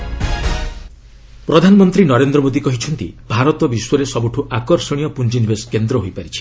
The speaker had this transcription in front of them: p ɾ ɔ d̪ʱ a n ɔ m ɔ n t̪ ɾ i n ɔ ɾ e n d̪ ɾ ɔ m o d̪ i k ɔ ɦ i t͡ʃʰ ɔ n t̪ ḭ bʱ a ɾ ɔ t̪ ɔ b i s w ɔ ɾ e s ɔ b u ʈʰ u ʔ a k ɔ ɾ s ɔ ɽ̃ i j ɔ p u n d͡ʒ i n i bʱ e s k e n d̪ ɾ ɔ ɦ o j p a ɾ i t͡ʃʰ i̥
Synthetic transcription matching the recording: p ɾ ɔ d̪ʱ a n ɔ m ɔ n t̪ ɾ i n ɔ ɾ e n d̪ ɾ ɔ m o d̪ i k ɔ ɦ i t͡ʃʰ ɔ n t̪ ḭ bʱ a ɾ ɔ t̪ ɔ b i s w ɔ ɾ e s ɔ b u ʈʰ u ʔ a k ɔ ɾ s ɔ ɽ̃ i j ɔ p u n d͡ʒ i n i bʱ e s k e n d̪ ɾ ɔ ɦ o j p a ɾ i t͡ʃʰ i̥